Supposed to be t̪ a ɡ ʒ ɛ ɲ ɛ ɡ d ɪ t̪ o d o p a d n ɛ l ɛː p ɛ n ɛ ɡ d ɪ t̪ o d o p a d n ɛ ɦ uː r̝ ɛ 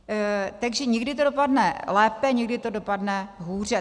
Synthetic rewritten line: t̪ a ɡ ʒ ɛ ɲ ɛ ɡ d ɪ t̪ o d o p a d n ɛ l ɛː p ɛ ɲ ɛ ɡ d ɪ t̪ o d o p a d n ɛ ɦ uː r̝ ɛ